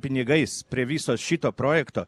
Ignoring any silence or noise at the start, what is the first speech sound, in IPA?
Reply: pʲ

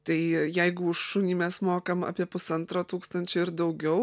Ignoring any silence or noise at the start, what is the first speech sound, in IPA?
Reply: t̪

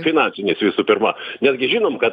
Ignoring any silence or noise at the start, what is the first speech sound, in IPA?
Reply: fʲ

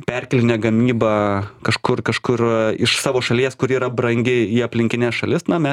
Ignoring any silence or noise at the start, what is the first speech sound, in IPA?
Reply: pʲ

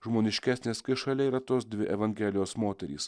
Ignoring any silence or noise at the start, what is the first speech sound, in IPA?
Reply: ʒ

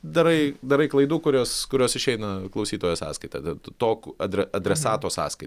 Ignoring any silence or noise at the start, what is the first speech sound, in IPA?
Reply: d̪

